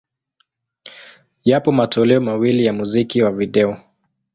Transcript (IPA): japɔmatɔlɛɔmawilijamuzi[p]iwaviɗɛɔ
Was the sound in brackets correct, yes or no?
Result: no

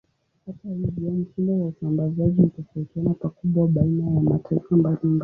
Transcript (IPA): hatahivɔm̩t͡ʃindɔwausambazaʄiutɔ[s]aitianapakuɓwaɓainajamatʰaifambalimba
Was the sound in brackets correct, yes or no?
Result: no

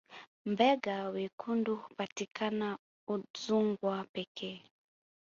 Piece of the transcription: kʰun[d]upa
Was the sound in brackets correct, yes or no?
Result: yes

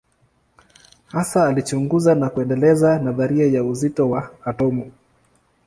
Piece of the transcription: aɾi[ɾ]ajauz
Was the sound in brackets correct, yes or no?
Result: no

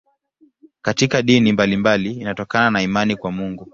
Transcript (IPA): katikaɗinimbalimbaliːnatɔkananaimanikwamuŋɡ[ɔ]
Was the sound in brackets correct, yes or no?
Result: no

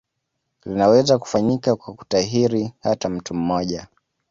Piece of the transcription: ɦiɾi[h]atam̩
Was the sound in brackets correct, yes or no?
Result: yes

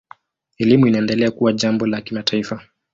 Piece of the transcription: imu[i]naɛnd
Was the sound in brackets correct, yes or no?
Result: yes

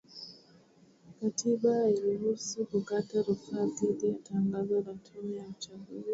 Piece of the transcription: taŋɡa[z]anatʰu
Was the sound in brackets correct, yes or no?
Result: yes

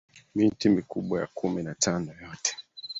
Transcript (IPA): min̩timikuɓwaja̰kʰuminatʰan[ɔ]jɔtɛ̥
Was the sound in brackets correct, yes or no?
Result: yes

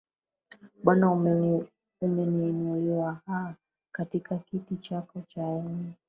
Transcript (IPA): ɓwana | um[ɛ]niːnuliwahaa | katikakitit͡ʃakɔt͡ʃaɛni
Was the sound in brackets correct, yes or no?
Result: yes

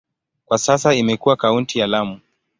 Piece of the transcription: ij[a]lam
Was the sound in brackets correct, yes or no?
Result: yes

